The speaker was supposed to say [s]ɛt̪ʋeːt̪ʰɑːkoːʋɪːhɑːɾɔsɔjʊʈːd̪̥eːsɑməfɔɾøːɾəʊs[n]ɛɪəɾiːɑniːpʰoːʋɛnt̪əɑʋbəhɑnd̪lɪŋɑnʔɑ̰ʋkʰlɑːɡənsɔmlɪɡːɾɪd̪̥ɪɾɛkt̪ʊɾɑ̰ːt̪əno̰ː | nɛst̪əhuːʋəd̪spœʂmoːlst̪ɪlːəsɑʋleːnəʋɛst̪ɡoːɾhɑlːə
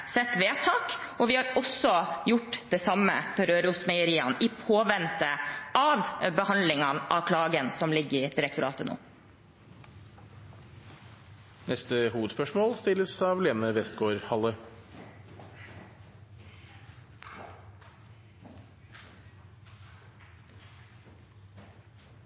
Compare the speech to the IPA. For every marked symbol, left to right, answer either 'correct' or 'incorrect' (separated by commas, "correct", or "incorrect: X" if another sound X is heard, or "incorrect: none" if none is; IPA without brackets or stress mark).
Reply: correct, incorrect: m